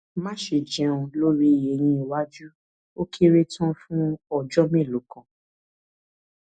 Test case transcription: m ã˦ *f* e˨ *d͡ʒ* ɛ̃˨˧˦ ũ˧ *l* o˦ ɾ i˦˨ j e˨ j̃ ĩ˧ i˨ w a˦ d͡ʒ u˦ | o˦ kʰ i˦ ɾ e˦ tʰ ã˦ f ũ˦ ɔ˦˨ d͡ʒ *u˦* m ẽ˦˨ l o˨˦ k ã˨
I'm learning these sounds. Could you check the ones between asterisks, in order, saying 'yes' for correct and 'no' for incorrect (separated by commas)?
no, yes, yes, no